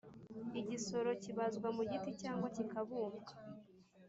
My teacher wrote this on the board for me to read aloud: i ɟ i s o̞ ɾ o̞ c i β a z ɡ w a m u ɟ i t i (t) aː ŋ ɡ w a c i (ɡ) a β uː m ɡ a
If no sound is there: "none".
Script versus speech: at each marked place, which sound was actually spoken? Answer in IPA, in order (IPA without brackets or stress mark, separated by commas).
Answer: c, k